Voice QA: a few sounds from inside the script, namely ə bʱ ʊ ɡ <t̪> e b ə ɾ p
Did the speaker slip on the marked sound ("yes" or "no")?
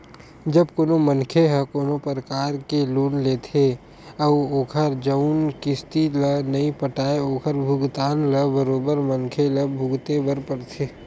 no